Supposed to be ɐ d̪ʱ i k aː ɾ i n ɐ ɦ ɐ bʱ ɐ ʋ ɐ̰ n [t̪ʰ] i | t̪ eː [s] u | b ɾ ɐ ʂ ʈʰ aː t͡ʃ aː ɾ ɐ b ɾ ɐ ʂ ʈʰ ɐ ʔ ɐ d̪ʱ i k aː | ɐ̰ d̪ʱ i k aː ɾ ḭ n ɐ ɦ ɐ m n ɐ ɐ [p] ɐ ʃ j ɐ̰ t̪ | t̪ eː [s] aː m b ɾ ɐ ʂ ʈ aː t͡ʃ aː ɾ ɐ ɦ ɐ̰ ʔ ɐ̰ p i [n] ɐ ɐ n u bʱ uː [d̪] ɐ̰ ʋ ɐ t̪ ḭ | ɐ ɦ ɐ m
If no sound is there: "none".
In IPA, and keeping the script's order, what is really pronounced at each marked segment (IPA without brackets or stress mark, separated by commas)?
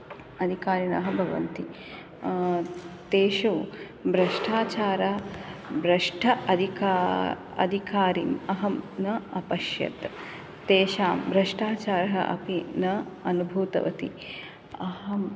t̪, ʃ, p, ʃ, n, t̪